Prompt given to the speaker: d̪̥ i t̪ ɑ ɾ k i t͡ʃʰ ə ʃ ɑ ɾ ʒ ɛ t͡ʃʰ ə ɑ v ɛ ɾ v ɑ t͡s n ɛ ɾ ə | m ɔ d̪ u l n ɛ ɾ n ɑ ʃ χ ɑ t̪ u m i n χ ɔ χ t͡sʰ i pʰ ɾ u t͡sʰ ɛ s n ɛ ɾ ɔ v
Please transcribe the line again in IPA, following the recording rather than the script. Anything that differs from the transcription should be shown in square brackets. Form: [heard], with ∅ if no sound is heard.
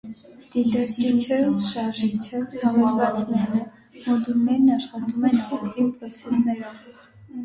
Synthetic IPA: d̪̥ i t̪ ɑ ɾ k i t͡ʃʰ ə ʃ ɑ ɾ ʒ [i] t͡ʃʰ ə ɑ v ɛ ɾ v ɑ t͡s n ɛ ɾ ə | m ɔ d̪ u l n ɛ ɾ n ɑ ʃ χ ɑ t̪ u m [ɛ] n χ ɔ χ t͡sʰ i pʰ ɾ [ɔ] t͡sʰ ɛ s n ɛ ɾ ɔ v